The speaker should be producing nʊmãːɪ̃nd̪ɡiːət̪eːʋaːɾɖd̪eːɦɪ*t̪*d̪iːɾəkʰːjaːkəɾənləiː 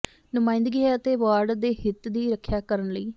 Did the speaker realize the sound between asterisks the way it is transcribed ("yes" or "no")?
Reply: yes